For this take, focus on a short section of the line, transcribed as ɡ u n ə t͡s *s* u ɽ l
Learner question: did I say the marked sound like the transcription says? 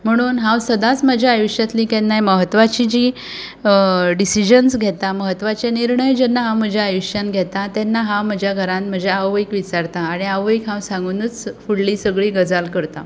no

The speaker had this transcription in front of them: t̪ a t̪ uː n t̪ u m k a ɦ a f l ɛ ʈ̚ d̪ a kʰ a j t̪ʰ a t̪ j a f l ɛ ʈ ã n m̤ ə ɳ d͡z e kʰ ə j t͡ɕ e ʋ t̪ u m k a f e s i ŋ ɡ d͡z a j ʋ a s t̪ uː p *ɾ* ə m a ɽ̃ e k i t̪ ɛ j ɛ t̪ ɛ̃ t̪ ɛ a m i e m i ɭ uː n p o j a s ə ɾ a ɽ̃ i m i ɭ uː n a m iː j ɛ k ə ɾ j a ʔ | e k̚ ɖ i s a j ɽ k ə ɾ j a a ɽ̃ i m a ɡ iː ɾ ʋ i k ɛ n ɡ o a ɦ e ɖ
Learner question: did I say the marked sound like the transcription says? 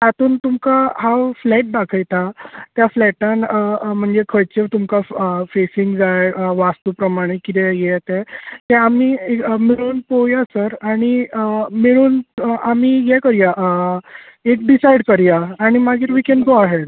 yes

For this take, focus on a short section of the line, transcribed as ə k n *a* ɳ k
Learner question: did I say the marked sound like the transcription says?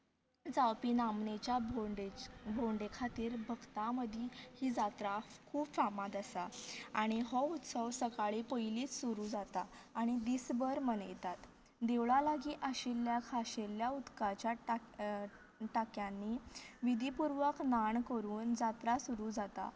yes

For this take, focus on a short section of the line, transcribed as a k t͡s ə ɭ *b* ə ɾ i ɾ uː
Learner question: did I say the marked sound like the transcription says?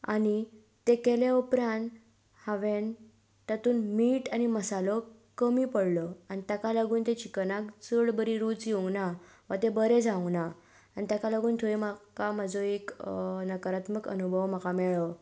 yes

